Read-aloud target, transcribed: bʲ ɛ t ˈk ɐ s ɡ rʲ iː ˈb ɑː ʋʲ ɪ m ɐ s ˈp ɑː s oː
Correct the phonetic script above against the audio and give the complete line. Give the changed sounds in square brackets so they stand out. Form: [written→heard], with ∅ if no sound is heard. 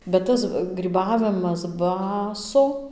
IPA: bʲ ɛ t [ˈk→ˈt] ɐ s ɡ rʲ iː ˈb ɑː ʋʲ ɪ m ɐ s [ˈp→ˈb] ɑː s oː